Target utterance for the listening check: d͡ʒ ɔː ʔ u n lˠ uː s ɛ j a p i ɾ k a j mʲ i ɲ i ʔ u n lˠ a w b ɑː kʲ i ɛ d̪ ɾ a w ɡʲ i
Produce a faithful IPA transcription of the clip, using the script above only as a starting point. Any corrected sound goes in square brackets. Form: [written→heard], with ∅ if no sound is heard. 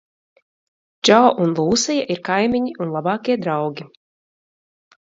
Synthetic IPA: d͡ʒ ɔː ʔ u n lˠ uː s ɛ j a [p→ʔ] i ɾ k a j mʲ i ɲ i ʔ u n lˠ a [w→∅] b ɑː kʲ i ɛ d̪ ɾ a w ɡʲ i